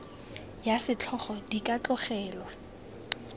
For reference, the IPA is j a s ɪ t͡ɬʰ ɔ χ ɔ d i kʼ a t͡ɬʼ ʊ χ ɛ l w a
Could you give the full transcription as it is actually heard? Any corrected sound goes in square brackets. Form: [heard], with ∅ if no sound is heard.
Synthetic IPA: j a s ɪ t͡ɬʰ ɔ χ ɔ d i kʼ a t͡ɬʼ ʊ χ [ɛː] l w a